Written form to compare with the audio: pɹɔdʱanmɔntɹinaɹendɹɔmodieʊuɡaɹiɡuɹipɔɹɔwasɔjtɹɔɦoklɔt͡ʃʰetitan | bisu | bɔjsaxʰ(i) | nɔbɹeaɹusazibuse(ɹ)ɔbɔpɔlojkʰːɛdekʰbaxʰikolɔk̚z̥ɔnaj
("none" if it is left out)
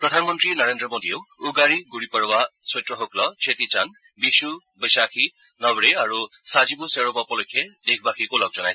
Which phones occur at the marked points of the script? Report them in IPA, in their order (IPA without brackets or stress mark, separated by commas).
i, ɹ